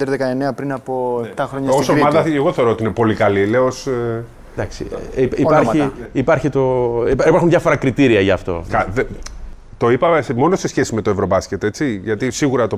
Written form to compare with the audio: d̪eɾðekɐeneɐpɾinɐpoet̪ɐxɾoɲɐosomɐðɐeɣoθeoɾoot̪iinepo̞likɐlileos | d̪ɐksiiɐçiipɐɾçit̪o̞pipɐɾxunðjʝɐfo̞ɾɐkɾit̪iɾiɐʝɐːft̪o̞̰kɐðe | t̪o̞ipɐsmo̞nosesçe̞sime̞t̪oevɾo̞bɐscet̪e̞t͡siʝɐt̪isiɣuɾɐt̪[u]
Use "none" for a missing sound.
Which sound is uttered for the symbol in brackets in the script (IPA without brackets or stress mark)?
o